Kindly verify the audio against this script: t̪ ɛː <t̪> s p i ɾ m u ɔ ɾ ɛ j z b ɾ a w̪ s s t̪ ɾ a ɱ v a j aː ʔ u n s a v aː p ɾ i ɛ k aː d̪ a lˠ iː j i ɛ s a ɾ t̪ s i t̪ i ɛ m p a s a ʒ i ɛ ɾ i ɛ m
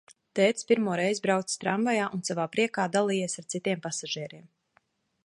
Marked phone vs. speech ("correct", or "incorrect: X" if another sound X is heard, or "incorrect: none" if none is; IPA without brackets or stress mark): correct